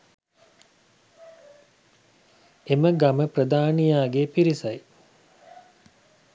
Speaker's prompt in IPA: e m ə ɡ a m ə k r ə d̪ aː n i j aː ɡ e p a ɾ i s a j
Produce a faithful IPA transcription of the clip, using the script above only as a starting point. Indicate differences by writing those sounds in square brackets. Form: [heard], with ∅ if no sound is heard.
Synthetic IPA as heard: e m ə ɡ a m ə [p] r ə d̪ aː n i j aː ɡ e p [i] ɾ i s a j